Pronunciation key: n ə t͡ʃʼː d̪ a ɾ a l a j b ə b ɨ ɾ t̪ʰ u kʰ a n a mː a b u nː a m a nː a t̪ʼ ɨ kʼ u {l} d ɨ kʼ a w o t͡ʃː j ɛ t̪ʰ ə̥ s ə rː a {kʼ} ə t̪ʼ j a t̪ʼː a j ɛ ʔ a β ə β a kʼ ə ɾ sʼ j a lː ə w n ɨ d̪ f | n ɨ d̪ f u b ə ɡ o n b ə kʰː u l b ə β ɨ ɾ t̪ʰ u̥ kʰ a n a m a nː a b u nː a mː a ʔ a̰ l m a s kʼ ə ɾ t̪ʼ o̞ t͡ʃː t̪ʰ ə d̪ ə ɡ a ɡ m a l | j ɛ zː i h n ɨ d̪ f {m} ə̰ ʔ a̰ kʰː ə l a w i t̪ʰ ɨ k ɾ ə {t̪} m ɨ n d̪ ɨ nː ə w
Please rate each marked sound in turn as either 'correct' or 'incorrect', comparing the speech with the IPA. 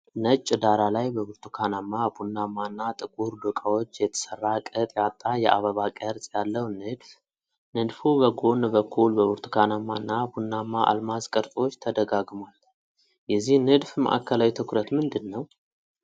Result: incorrect: ɾ, correct, correct, correct

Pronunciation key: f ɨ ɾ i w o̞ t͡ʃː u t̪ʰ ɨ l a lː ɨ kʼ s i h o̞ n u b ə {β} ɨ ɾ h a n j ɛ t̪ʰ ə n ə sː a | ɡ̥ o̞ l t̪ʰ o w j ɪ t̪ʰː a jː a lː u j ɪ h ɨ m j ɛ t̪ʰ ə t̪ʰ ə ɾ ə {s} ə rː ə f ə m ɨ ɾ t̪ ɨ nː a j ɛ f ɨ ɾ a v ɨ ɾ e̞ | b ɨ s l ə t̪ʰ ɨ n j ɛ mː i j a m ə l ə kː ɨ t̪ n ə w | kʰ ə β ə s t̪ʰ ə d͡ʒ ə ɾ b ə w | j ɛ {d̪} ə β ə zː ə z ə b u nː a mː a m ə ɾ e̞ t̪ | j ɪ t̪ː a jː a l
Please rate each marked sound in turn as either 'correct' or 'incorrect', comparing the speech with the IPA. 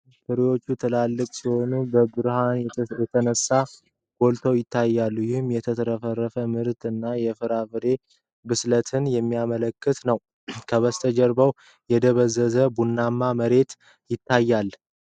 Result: incorrect: b, incorrect: f, correct

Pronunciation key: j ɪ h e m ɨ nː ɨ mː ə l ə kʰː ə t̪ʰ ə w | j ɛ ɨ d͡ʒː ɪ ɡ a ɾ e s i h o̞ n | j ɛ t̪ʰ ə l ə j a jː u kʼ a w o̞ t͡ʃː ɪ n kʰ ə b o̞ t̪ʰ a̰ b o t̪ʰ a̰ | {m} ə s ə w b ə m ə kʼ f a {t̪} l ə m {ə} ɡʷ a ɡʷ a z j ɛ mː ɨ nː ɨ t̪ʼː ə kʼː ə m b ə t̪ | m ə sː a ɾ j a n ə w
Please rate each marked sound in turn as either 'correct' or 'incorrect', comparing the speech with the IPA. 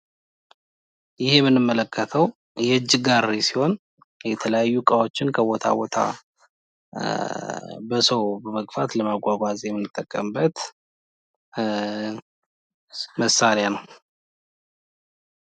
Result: incorrect: b, correct, incorrect: a

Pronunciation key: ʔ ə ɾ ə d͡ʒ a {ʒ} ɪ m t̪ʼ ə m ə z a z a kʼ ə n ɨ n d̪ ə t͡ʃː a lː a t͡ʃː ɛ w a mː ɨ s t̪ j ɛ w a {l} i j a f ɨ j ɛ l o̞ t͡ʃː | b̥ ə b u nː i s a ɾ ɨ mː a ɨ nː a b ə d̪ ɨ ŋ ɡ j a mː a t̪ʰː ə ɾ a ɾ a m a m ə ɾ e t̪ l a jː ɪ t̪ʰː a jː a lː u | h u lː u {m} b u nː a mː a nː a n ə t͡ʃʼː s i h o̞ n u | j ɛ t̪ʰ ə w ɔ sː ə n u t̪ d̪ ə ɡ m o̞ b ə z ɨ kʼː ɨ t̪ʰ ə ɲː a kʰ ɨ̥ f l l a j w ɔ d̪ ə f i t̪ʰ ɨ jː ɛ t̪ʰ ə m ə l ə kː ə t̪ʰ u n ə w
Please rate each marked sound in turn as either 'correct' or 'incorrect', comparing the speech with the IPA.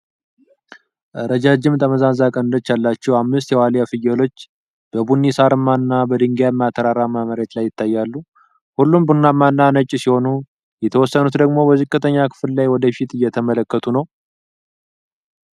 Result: incorrect: d͡ʒ, correct, correct

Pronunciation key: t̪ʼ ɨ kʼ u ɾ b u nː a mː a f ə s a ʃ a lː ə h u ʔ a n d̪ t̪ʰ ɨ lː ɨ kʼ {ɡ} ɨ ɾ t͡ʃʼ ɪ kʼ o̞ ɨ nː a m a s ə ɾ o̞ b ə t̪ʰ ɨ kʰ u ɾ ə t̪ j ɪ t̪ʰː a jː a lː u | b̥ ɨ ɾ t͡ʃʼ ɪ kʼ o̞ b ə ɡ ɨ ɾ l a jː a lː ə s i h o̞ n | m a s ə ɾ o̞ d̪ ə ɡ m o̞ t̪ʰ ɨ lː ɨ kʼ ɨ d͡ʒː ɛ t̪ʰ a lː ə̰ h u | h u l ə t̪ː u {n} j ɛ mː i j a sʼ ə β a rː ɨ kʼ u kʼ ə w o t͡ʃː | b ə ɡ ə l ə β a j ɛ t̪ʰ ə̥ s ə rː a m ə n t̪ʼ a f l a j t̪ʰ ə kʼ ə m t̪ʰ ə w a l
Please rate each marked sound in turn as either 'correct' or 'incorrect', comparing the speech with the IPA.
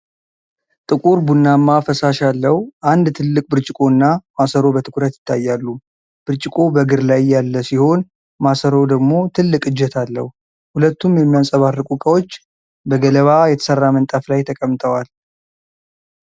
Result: incorrect: b, incorrect: m

